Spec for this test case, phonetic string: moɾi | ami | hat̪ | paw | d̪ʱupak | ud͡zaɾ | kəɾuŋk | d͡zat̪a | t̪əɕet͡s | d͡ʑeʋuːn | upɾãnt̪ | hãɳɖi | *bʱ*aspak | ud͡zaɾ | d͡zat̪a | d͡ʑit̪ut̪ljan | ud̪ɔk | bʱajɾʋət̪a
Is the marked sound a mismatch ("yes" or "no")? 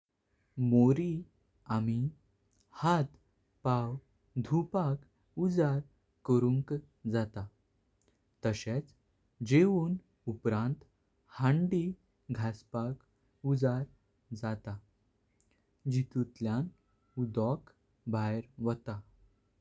yes